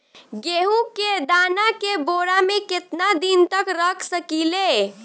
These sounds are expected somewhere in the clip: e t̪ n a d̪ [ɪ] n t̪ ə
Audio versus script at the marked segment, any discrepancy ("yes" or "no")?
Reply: yes